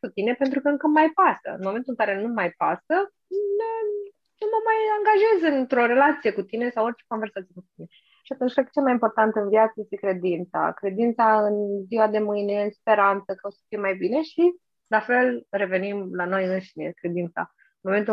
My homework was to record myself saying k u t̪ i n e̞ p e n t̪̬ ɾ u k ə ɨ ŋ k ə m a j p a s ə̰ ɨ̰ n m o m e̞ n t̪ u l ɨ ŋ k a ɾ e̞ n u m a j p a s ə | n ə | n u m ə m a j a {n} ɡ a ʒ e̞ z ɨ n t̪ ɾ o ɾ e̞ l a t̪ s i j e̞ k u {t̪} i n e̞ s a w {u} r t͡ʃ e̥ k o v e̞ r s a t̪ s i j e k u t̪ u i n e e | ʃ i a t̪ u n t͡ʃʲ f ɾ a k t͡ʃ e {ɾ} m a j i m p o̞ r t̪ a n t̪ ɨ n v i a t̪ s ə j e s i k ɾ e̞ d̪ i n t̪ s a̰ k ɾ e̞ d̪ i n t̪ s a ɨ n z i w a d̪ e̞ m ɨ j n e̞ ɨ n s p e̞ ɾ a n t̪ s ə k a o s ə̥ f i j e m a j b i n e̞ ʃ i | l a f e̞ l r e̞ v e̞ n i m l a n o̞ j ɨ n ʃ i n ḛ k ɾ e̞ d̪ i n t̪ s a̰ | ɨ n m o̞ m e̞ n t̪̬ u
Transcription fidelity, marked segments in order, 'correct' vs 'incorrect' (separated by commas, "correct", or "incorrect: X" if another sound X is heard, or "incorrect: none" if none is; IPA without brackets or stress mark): incorrect: ŋ, correct, incorrect: o, incorrect: l